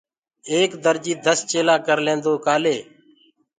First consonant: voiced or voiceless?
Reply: voiceless